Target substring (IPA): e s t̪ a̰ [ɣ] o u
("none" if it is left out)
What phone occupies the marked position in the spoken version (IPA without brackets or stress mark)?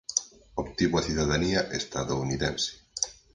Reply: ð